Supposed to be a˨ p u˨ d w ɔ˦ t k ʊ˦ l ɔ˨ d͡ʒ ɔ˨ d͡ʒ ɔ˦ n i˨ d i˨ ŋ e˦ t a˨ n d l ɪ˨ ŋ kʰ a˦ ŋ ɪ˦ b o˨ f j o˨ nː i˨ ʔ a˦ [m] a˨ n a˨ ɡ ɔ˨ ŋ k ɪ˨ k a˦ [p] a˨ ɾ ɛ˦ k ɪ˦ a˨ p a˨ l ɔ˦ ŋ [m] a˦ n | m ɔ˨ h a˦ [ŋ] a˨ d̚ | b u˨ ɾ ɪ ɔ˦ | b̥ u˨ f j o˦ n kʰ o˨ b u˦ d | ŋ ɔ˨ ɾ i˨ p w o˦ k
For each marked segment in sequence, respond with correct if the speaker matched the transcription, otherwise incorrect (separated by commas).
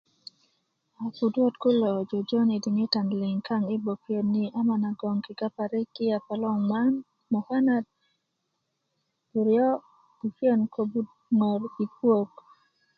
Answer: correct, correct, correct, incorrect